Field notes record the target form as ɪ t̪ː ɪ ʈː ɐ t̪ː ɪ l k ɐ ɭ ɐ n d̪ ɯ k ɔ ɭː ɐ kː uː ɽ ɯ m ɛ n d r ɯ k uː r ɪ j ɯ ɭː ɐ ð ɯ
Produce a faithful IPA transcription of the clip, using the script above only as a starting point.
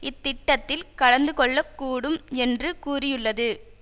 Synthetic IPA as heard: ɪ t̪ː ɪ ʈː ɐ t̪ː ɪ l k ɐ ɽ ɐ n d̪ ɯ k ɔ ɭː ɐ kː uː ɽ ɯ m ɛ n d r ɯ k uː r ɪ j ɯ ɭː ɐ ð ɯ